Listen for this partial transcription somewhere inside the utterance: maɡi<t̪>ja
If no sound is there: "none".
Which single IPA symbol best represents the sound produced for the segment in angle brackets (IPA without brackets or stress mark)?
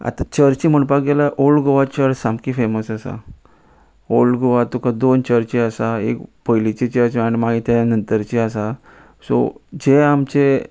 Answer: t̪